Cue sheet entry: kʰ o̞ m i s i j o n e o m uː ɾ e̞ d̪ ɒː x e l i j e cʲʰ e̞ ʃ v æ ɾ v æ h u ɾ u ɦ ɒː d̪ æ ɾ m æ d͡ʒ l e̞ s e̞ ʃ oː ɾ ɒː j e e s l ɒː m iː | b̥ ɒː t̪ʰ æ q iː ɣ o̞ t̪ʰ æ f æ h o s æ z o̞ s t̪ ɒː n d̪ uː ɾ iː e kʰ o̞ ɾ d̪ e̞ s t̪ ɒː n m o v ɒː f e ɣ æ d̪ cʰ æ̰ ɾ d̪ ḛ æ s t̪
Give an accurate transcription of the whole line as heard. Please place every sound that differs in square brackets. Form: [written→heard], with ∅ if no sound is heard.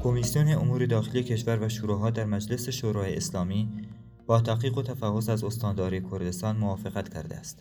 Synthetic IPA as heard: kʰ o̞ m i s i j o n e o m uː ɾ e̞ d̪ ɒː x e l i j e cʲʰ e̞ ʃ v æ ɾ v æ [h→ʃ] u ɾ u ɦ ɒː d̪ æ ɾ m æ d͡ʒ l e̞ s e̞ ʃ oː ɾ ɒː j e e s l ɒː m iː | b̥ ɒː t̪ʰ æ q iː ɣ o̞ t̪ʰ æ f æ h o s æ z o̞ s t̪ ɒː n d̪ [uː→ɒː] ɾ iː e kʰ o̞ ɾ d̪ e̞ s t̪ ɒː n m o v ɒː f e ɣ æ [d̪→t̪] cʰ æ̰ ɾ d̪ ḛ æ s t̪